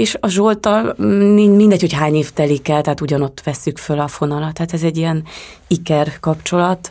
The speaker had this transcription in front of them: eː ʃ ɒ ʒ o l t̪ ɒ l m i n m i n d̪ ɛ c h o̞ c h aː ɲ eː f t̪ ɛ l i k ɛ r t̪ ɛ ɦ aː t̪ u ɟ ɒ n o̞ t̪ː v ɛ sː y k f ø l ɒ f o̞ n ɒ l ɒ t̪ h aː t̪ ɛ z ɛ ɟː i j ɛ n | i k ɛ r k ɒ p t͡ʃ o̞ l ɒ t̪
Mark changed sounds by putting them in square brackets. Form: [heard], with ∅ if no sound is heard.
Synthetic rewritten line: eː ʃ ɒ ʒ o l t̪ ɒ l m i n m i n d̪ ɛ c h o̞ c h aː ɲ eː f t̪ ɛ l i k ɛ [l] t̪ ɛ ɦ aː t̪ u ɟ ɒ n o̞ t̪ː [ʋ] ɛ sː y k f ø l ɒ f o̞ n ɒ l ɒ t̪ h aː t̪ ɛ z ɛ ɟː i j ɛ n | i k ɛ r k ɒ p t͡ʃ o̞ l ɒ t̪